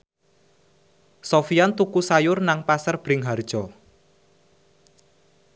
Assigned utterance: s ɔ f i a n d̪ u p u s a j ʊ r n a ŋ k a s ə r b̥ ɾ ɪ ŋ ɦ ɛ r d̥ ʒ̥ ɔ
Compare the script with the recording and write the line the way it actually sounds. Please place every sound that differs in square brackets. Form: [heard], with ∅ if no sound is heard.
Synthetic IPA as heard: s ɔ f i a n [t̪] u [k] u s a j ʊ r n a ŋ [p] a s ə r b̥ ɾ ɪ ŋ ɦ [a] r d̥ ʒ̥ ɔ